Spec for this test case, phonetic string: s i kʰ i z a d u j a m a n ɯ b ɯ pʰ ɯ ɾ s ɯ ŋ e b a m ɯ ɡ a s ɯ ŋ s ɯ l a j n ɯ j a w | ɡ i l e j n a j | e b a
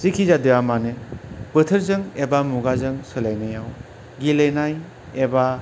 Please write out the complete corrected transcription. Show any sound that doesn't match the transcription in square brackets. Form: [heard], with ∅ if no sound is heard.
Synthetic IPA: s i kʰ i z a d [ɯ] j a m a n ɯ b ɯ [tʰ] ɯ ɾ [z] ɯ ŋ e b a m [u] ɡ a [z] ɯ ŋ s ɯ l a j n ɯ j a w | ɡ i l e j n a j | e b a